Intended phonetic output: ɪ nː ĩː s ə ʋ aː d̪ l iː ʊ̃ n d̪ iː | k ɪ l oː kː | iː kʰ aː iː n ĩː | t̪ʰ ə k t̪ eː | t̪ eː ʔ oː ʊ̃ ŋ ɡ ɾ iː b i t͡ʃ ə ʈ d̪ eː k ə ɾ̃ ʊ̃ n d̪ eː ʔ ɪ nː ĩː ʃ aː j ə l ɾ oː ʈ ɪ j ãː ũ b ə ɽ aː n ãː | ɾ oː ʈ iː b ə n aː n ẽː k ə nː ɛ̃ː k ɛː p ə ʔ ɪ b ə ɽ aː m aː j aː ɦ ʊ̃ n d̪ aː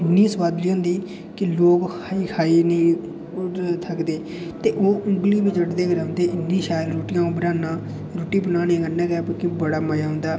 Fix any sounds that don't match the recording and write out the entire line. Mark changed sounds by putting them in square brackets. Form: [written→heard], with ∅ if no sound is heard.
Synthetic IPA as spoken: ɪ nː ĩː s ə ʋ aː d̪ l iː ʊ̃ n d̪ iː | k ɪ l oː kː | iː kʰ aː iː n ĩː | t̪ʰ ə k [t̪→d̪] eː | t̪ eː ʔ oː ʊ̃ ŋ ɡ [ɾ→l] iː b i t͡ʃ ə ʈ d̪ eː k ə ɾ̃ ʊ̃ n d̪ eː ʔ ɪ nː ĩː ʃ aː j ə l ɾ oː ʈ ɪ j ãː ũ b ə [ɽ→ɾ] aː n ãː | ɾ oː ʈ iː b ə n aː n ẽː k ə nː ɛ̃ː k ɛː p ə [ʔ→k] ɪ b ə ɽ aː m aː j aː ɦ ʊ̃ n d̪ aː